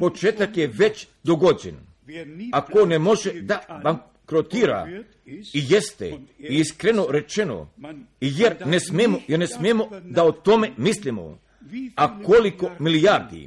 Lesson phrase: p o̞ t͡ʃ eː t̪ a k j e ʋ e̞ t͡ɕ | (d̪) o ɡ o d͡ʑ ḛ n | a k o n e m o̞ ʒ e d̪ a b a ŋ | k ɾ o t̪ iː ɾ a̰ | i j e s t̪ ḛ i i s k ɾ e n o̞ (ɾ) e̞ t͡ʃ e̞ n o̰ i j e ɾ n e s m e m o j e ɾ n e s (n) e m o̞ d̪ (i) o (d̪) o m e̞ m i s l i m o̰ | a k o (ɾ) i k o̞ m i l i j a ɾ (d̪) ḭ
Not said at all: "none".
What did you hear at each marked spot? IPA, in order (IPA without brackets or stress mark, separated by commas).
d̪, ɾ, m, a, t̪, l, d̪